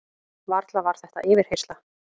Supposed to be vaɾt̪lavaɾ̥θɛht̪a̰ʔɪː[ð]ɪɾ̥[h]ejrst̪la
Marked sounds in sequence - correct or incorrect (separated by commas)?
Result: incorrect, correct